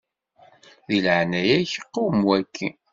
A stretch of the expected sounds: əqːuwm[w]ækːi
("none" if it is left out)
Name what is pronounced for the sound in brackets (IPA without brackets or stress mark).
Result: w